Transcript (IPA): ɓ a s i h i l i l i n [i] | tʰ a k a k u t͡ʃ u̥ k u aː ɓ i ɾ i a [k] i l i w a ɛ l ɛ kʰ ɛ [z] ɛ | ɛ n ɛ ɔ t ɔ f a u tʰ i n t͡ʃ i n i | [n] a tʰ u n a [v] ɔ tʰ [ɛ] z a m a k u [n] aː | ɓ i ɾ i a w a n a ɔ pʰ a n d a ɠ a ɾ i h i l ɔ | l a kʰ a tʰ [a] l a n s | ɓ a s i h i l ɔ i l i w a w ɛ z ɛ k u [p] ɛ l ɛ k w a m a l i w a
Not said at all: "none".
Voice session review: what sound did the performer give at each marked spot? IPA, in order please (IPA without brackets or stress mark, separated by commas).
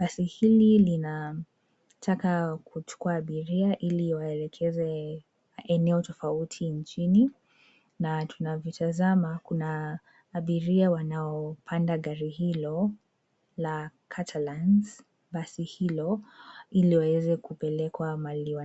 a, ʔ, z, n, v, a, n, a, p